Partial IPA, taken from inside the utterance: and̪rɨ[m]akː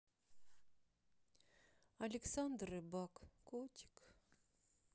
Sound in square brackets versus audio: incorrect: b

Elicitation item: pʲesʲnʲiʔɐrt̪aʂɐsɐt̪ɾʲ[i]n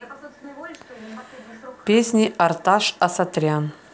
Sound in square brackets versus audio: incorrect: a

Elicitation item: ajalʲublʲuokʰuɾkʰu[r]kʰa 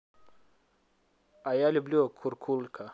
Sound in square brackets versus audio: incorrect: l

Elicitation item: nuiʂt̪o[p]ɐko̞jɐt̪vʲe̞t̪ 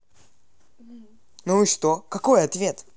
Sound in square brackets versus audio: incorrect: k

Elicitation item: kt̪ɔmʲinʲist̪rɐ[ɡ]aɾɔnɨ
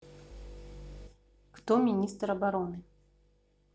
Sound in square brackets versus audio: incorrect: b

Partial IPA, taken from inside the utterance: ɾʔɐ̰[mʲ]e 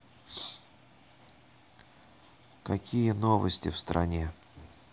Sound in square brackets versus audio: incorrect: nʲ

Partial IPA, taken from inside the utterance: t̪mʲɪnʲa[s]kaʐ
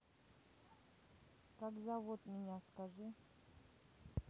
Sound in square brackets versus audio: correct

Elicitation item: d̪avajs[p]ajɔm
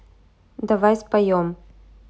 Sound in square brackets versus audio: correct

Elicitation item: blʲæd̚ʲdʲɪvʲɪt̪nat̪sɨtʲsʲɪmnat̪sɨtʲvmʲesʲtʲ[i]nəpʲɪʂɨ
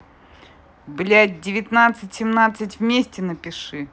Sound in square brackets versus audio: incorrect: ɪ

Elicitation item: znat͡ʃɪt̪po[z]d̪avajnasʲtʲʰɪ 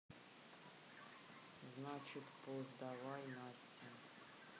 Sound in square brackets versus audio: correct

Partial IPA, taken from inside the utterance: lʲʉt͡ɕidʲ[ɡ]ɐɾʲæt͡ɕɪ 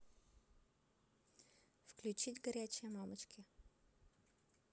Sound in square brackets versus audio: correct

